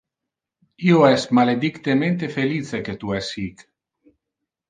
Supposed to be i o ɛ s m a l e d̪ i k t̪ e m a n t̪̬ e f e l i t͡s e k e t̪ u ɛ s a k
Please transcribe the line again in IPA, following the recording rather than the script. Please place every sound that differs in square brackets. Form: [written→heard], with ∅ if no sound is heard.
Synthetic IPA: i o ɛ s m a l e d̪ i k t̪ e m [a→e] n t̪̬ e f e l i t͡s e k e t̪ u ɛ s [a→i] k